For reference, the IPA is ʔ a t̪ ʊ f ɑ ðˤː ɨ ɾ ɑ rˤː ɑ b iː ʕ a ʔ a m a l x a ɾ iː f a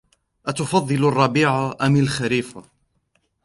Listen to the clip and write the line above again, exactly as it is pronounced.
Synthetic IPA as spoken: ʔ a t̪ ʊ f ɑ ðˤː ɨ l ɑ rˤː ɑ b iː ʕ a ʔ a m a l x a ɾ iː f a